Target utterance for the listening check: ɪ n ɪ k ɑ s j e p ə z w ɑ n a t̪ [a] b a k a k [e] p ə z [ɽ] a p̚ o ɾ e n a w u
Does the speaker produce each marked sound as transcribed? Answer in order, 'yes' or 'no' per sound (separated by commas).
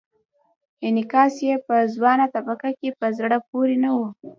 yes, yes, yes